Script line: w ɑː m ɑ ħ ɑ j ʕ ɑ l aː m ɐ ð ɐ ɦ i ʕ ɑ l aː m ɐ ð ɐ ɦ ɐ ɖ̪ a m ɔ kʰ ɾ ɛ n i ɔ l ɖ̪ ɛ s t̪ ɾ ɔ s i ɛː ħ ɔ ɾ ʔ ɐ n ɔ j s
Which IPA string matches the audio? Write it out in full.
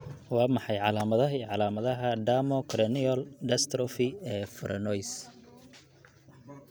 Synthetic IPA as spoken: w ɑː m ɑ ħ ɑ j ʕ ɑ l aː m ɐ ð ɐ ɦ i ʕ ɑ l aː m ɐ ð ɐ ɦ ɐ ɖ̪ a m ɔ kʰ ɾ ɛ n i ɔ l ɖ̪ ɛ s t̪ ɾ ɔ f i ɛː f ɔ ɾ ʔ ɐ n ɔ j s